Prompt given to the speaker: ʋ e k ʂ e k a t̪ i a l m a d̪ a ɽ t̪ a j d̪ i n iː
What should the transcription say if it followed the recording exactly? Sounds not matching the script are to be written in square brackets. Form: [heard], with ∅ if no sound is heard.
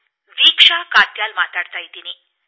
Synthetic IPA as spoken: ʋ [i] k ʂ [a] k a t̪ [j] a l m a [t̪] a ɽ t̪ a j [t̪] i n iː